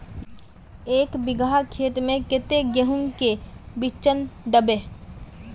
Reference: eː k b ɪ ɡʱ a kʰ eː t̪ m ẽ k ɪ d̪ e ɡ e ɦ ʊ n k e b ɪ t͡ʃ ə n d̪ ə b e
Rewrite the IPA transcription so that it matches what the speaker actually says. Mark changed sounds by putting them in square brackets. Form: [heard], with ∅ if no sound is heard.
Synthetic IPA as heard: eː k b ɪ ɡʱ a kʰ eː t̪ m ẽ k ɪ [t̪] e ɡ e ɦ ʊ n k e b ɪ t͡ʃ ə n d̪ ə b e

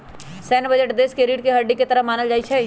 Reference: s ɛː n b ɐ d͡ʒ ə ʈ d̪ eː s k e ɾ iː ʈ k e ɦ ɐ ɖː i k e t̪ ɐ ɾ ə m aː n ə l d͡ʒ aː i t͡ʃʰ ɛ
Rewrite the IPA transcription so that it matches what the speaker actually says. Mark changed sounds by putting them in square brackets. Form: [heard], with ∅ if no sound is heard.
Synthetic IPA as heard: s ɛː n b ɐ d͡ʒ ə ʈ d̪ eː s k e ɾ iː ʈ k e ɦ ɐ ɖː i k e t̪ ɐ ɾ ə m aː n ə l d͡ʒ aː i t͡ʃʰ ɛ

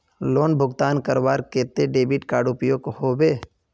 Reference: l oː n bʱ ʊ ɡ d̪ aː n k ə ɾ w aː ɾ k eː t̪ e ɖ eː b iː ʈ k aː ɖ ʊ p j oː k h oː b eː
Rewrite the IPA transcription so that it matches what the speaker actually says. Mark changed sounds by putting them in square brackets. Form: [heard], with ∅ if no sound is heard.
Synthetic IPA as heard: l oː n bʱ ʊ ɡ [t̪] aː n k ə ɾ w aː ɾ k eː t̪ e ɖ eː b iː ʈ k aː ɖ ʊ p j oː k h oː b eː

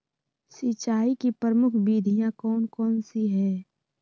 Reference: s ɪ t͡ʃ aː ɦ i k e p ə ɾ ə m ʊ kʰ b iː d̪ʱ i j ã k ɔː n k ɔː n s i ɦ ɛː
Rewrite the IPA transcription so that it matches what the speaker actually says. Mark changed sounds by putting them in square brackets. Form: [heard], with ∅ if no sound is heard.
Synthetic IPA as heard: s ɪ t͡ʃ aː [∅] i k [i] p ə ɾ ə m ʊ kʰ b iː d̪ʱ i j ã k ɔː n k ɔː n s i ɦ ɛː

